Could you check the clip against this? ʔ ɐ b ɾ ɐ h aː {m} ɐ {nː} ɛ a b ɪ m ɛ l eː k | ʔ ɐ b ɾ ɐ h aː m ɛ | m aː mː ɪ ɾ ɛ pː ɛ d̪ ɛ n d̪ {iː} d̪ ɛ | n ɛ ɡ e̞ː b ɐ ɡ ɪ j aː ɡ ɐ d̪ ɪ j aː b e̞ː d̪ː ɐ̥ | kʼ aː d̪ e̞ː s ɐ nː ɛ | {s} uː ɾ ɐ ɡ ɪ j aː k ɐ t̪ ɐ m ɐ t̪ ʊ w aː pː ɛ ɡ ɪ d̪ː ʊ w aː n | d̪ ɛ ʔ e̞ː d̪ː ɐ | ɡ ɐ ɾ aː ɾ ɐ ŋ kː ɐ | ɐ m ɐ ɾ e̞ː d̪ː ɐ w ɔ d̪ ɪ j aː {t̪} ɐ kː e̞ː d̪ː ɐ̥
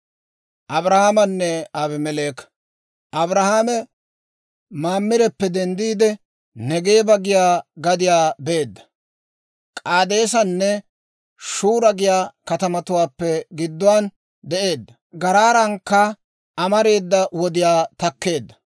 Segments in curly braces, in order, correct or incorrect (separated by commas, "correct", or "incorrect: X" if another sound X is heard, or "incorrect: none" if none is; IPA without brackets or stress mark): correct, correct, correct, incorrect: ʃ, correct